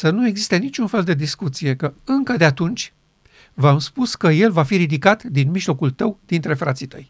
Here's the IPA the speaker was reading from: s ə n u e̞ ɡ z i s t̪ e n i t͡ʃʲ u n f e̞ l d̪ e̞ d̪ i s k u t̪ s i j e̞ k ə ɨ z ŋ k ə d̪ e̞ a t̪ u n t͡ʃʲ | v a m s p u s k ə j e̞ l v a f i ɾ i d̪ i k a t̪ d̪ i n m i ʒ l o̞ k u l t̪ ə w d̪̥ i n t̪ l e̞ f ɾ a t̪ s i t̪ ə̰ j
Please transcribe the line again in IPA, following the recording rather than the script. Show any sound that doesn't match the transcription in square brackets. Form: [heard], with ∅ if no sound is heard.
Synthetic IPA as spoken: s ə n u e̞ ɡ z i s t̪ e n i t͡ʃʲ u n f e̞ l d̪ e̞ d̪ i s k u t̪ s i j e̞ k ə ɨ [∅] ŋ k ə d̪ e̞ a t̪ u n t͡ʃʲ | v a m s p u s k ə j e̞ l v a f i ɾ i d̪ i k a t̪ d̪ i n m i ʒ l o̞ k u l t̪ ə w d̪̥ i n t̪ [ɾ] e̞ f ɾ a t̪ s i t̪ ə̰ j